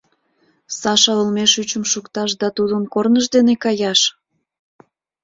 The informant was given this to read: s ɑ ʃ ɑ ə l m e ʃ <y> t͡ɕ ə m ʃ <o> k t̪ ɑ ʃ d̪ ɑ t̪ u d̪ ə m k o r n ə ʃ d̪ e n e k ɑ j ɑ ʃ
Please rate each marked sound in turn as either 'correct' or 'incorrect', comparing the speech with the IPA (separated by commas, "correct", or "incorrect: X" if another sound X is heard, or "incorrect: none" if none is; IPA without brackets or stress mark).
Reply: correct, incorrect: u